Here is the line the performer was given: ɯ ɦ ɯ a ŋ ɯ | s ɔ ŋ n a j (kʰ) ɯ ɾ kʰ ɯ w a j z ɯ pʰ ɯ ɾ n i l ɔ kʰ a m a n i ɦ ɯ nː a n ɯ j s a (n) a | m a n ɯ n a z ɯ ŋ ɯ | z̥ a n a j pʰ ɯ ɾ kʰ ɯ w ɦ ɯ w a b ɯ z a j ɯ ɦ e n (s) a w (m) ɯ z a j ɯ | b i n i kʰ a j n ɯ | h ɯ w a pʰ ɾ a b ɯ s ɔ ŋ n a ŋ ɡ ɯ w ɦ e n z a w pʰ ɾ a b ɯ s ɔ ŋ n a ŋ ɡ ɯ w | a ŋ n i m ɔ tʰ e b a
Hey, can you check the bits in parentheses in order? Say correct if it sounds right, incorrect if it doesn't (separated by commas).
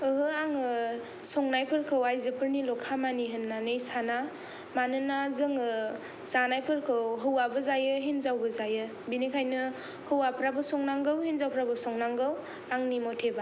incorrect, correct, incorrect, incorrect